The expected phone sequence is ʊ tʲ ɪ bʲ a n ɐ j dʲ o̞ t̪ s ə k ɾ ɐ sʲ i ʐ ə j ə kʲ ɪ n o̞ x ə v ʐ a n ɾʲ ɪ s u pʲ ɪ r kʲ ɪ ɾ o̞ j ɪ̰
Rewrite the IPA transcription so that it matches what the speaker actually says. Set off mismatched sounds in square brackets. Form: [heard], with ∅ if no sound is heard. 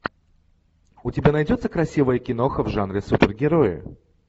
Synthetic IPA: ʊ tʲ ɪ bʲ a n ɐ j dʲ o̞ t̪ s ə k ɾ ɐ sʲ i [v] ə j ə kʲ ɪ n o̞ x ə v ʐ a n ɾʲ ɪ s u pʲ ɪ r [ɡʲ] ɪ ɾ o̞ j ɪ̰